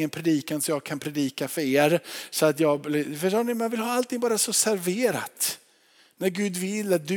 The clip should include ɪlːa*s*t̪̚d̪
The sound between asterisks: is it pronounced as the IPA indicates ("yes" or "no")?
no